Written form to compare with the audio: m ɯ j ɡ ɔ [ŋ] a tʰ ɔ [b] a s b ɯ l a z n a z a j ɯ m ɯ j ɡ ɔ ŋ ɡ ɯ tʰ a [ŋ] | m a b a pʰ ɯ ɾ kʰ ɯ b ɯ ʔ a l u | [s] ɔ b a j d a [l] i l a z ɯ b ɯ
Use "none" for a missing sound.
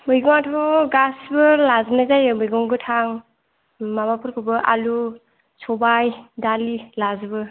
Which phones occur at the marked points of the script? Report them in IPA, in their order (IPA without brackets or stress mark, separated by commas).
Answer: ŋ, ɡ, ŋ, s, l